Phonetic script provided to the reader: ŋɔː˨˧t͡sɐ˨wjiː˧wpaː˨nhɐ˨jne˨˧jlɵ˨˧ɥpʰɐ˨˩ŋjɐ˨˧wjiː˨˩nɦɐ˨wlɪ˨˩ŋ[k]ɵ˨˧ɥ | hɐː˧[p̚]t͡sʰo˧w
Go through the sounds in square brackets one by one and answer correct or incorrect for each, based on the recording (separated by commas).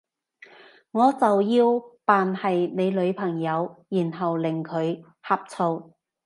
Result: incorrect, correct